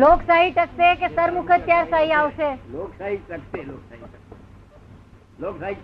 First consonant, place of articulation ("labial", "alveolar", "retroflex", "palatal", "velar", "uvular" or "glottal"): alveolar